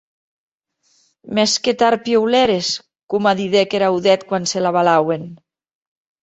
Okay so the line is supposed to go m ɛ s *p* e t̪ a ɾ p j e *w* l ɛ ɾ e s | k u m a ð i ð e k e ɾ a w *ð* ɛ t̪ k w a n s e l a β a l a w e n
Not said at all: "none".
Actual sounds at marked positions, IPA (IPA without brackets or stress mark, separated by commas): k, w, ð